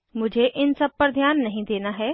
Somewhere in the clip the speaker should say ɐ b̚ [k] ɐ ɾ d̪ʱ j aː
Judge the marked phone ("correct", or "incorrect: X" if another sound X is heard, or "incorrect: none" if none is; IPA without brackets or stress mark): incorrect: p